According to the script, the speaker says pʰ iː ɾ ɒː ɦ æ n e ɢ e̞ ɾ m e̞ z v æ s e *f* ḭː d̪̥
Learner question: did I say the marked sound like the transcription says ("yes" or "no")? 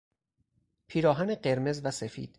yes